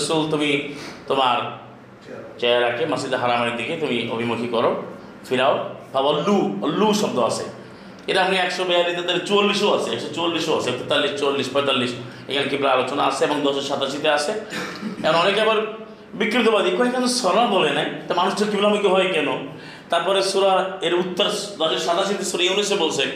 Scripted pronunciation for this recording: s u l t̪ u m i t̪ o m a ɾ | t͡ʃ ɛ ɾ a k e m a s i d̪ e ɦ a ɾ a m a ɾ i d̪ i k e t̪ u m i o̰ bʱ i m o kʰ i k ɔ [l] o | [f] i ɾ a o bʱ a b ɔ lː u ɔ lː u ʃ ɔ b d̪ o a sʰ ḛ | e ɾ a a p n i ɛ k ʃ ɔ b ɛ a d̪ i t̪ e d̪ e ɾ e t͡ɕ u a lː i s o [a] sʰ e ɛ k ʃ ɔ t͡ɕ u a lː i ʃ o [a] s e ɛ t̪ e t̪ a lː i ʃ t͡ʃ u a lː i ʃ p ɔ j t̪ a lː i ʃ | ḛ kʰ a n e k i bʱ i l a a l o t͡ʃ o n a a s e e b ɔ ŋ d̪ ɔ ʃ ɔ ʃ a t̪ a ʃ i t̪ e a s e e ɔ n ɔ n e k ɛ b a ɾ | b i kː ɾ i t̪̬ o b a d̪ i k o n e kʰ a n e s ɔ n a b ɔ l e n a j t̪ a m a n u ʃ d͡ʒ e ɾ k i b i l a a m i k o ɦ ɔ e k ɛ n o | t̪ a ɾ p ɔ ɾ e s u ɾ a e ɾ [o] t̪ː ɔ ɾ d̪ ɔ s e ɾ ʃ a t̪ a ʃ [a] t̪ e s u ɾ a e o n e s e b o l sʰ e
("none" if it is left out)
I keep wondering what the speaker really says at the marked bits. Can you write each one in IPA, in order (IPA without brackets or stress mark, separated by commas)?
ɾ, f, a, a, u, i